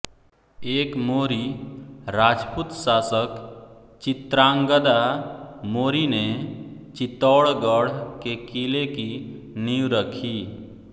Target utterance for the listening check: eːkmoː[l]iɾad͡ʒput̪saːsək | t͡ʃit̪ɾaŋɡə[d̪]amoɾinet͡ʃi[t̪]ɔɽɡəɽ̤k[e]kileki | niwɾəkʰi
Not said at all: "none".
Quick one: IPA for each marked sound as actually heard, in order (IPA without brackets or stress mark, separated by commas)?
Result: ɾ, d̪, t̪, e